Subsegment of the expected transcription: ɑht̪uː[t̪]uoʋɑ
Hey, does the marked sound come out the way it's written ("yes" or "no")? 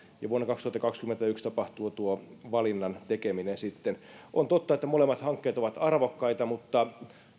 yes